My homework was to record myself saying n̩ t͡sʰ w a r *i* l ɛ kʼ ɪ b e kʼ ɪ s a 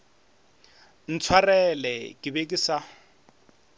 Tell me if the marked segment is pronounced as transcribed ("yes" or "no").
no